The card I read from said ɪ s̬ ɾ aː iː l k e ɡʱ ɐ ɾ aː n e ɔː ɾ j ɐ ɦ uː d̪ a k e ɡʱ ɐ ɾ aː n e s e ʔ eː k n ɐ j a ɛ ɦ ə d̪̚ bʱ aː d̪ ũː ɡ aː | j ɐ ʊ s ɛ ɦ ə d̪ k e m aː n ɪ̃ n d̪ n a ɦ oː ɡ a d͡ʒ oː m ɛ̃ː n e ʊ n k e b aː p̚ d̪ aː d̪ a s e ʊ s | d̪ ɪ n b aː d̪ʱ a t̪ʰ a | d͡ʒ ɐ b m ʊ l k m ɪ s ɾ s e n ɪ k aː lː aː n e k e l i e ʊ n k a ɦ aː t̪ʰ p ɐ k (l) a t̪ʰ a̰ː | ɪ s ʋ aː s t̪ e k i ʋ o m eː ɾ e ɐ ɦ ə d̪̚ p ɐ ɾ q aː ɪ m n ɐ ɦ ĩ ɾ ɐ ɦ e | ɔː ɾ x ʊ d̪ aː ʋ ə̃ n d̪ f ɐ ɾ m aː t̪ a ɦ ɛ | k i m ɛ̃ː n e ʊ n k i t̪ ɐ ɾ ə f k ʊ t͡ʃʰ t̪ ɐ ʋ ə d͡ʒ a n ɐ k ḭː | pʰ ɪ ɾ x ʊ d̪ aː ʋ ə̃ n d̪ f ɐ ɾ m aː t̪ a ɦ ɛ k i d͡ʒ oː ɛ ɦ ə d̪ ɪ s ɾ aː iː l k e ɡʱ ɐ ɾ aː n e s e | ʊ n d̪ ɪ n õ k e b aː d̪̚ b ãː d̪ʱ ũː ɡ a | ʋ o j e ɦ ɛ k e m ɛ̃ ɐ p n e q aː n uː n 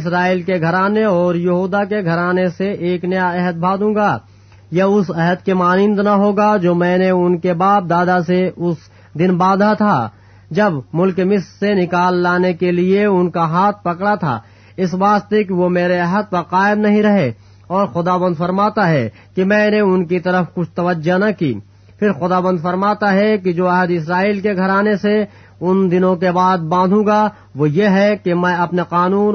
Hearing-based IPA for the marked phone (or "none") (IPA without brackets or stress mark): ɽ